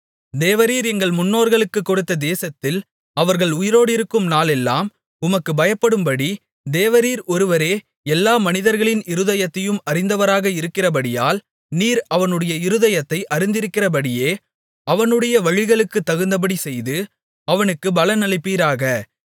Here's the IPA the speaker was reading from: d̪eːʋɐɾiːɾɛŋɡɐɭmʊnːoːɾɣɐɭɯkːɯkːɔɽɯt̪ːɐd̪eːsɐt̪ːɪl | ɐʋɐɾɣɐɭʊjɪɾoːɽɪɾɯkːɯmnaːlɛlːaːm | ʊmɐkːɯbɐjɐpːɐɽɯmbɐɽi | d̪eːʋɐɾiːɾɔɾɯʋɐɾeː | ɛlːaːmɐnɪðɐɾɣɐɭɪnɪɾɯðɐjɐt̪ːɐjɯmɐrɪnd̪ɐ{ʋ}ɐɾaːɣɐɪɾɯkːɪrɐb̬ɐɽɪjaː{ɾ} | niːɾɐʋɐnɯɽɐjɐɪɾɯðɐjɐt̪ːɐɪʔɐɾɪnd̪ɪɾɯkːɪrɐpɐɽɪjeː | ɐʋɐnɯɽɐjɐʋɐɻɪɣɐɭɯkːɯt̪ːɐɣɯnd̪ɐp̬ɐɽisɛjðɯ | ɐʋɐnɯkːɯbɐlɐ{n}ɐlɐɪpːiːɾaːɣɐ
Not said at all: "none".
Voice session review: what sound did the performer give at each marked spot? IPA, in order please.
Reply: ʋ, l, n

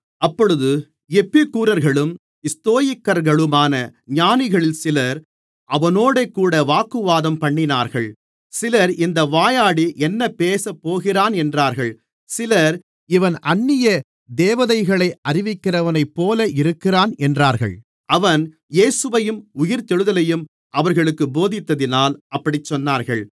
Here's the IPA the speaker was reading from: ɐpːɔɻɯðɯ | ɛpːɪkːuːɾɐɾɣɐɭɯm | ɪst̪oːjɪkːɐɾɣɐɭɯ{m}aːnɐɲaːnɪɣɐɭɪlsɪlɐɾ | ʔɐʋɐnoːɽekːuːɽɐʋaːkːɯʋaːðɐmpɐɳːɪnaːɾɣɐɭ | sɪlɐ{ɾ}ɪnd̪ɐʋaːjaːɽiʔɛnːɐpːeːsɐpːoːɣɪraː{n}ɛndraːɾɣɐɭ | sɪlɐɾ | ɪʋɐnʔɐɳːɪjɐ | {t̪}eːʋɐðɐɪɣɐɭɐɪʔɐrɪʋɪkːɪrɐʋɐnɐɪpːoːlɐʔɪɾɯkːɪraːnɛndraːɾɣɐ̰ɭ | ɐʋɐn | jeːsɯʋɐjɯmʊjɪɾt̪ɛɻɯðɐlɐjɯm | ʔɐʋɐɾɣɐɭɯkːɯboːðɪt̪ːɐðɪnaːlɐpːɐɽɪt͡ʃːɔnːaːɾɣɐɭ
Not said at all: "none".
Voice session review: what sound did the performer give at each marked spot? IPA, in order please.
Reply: m, ɾ, n, d̪

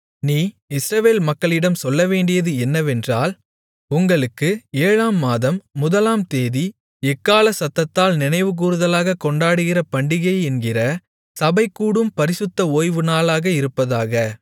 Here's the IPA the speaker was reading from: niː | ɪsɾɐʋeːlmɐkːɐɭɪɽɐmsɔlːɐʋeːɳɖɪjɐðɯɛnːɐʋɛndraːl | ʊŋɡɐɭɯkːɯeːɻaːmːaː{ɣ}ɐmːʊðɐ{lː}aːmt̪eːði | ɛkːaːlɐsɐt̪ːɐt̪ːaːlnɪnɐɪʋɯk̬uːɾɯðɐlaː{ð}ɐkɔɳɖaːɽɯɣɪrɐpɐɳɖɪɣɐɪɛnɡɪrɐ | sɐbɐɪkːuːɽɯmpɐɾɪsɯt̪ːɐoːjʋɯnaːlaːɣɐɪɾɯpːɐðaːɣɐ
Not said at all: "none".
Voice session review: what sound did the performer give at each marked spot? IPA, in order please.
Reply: ð, l, ɣ

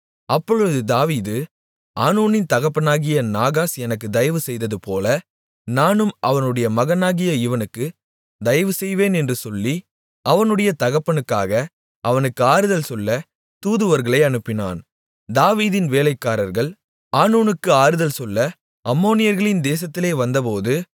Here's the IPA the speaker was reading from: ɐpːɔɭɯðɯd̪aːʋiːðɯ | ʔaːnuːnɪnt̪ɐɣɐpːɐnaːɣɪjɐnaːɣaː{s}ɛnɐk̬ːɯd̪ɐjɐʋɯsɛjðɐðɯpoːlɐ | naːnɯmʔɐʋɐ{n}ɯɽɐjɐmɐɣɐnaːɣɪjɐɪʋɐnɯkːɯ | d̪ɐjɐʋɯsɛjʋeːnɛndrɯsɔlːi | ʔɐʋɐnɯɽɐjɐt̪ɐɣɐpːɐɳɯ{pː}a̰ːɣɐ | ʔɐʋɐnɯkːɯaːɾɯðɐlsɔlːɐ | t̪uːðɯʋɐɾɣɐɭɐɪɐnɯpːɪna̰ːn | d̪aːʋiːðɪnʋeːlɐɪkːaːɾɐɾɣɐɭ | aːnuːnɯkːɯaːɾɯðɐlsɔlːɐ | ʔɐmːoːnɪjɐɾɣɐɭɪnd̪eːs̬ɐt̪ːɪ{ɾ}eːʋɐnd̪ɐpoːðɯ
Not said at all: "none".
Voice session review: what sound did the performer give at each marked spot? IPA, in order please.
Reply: s, n, kː, l

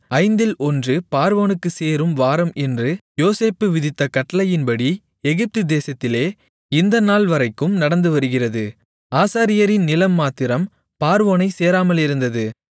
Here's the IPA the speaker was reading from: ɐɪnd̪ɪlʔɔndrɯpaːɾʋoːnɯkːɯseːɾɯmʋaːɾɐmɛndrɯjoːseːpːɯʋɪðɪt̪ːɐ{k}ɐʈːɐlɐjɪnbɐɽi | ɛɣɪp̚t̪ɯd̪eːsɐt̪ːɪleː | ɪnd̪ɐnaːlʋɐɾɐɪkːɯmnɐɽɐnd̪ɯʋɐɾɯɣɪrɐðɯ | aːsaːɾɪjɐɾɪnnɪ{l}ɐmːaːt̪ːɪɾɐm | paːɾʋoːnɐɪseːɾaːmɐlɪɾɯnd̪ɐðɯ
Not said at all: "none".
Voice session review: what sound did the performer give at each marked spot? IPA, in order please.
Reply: k, l

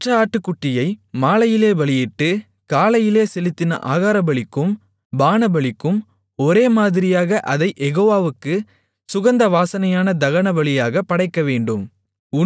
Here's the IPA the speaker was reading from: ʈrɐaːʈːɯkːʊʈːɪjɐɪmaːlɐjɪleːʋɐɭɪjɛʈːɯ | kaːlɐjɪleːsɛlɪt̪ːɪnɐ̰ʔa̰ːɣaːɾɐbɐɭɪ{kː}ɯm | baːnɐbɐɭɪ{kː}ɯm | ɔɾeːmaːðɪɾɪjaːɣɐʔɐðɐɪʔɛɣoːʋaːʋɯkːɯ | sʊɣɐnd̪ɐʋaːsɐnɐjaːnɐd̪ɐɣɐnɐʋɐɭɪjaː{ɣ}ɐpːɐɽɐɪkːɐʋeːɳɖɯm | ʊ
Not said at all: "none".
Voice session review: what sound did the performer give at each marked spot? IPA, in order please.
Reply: kː, kː, ɣ

